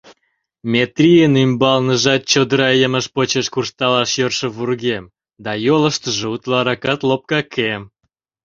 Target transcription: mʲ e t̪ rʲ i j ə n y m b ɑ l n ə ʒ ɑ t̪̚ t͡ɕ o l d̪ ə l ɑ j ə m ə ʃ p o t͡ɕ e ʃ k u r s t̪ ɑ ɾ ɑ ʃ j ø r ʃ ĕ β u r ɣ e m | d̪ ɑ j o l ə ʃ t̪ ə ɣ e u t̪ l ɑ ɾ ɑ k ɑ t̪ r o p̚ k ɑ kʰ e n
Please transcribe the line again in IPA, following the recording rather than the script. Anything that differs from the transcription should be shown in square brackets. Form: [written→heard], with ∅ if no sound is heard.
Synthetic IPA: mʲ e t̪ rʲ i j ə n y m b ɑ l n ə ʒ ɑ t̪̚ t͡ɕ o [l→∅] d̪ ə [l→ɾ] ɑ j ə m ə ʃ p o t͡ɕ e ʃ k u r s t̪ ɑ [ɾ→l] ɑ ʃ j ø r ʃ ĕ β u r ɣ e m | d̪ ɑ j o l ə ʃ t̪ ə [ɣ→ʒ] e u t̪ l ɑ ɾ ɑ k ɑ t̪ [r→l] o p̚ k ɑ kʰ e [n→m]